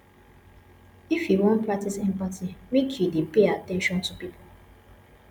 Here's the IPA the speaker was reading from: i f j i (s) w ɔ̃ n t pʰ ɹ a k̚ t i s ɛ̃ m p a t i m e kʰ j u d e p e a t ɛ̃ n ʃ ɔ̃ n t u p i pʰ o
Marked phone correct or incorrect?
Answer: incorrect